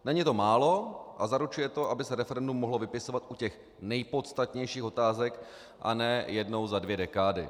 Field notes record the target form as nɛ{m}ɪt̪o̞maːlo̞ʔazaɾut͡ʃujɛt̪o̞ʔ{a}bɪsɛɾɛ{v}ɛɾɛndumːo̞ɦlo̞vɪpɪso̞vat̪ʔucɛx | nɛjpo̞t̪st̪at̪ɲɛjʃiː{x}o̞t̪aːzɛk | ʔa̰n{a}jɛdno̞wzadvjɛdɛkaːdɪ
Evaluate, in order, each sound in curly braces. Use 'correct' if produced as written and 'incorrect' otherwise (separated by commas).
incorrect, correct, incorrect, correct, incorrect